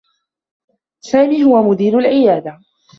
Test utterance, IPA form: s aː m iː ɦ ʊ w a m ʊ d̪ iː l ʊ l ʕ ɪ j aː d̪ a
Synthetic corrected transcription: s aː m iː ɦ ʊ w a m ʊ d̪ iː ɾ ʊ l ʕ ɪ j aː d̪ a